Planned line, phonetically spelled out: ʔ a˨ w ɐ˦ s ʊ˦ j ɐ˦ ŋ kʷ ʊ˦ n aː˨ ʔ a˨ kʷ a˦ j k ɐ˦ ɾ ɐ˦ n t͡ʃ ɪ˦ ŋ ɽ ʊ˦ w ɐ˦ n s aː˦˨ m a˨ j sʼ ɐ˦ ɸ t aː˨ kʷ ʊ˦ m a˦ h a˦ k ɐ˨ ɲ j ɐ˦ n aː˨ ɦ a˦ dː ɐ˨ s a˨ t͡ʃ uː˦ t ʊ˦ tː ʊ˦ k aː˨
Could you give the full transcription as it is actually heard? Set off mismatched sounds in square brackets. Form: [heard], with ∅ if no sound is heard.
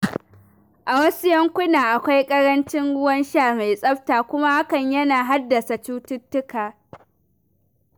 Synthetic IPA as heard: ʔ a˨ w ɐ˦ s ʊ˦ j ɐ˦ ŋ kʷ ʊ˦ n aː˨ ʔ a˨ kʷ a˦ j [kʼ] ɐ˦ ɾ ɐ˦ n t͡ʃ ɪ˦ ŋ ɽ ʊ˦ w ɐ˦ n [ʃ] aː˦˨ m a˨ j sʼ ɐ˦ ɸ t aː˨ kʷ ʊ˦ m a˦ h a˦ k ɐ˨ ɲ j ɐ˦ n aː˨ ɦ a˦ dː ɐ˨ s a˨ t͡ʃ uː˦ t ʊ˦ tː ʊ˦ k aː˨